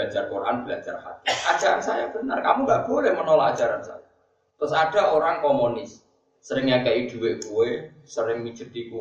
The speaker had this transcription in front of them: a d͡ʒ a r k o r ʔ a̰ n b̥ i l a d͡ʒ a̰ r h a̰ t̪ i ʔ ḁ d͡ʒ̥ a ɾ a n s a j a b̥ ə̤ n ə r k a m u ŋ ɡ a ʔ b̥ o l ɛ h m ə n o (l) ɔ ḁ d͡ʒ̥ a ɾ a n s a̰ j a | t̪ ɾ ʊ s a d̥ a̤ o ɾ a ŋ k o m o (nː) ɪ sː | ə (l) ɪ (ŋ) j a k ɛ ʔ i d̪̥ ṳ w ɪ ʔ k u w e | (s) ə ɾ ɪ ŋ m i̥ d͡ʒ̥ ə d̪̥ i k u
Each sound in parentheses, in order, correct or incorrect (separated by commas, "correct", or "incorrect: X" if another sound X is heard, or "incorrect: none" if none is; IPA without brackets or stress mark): correct, incorrect: n, incorrect: ɾ, correct, correct